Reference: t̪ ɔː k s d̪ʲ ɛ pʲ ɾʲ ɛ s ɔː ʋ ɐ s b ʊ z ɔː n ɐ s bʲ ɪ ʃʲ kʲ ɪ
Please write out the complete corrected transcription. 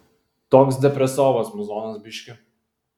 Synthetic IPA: t̪ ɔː k s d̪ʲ ɛ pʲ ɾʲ ɛ s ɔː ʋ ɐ s m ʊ z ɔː n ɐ s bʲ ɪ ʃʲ kʲ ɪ